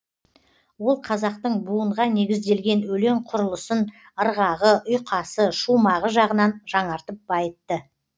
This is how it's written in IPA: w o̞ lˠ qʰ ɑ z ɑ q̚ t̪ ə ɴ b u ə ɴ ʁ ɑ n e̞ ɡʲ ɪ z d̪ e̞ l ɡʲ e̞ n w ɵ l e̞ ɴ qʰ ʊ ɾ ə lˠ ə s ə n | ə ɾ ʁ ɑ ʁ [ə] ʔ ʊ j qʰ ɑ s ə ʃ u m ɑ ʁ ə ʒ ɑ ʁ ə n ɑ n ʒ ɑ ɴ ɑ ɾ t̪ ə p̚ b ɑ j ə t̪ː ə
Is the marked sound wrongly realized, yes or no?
no